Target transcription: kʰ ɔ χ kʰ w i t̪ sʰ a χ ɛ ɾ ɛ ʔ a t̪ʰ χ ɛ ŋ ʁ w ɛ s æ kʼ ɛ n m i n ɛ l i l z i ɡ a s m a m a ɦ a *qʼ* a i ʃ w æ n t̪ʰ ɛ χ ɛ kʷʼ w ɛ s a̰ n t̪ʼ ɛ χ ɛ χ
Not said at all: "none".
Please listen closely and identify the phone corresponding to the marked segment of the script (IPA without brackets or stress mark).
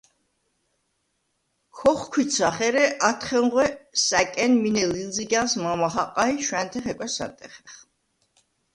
qʼ